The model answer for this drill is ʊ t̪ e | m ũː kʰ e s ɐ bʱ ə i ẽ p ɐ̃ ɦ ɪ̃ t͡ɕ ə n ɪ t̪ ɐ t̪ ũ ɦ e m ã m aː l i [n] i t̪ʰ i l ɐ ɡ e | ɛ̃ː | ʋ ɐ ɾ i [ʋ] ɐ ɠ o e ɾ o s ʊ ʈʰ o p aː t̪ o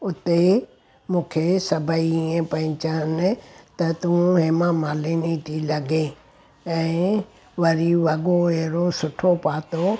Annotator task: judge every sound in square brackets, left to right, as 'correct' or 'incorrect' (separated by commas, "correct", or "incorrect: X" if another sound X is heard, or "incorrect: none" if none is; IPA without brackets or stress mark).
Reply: correct, correct